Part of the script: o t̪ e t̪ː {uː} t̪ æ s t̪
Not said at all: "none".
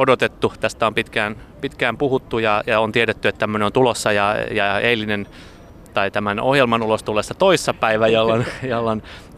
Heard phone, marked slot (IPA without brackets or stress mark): u